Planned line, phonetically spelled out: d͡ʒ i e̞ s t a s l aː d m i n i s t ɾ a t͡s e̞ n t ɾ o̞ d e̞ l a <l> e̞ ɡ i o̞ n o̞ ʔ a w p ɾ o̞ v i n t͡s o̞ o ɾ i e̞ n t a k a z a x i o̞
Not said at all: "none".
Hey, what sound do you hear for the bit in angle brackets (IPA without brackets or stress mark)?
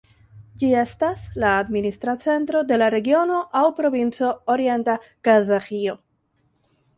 ɾ